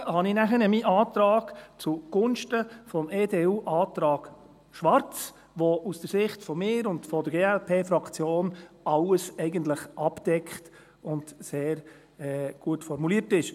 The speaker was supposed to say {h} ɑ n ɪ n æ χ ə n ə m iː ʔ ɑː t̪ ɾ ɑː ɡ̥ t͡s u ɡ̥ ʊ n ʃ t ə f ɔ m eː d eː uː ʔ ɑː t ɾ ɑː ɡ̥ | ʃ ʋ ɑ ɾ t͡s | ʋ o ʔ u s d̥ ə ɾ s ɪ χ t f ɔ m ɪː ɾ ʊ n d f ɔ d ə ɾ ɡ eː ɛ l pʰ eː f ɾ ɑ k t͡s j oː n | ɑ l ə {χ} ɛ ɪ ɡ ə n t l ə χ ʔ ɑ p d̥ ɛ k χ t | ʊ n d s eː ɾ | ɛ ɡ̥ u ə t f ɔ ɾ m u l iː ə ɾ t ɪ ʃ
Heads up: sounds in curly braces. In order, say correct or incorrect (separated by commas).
correct, incorrect